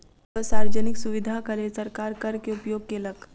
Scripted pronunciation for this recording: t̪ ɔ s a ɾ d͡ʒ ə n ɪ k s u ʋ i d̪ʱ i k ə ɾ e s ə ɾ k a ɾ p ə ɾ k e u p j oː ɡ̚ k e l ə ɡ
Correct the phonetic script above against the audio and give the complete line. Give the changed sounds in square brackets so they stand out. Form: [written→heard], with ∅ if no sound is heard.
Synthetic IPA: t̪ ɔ s a ɾ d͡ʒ ə n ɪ k s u ʋ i d̪ʱ [i→a] k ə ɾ e s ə ɾ k a ɾ [p→k] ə ɾ k e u p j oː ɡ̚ k e l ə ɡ